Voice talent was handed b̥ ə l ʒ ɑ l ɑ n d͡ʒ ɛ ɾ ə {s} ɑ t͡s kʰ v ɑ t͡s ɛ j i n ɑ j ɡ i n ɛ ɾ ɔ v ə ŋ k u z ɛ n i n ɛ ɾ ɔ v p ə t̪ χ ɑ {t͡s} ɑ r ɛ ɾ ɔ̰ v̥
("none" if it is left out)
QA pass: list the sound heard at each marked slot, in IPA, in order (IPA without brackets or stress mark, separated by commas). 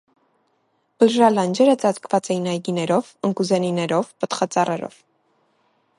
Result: t͡s, t͡s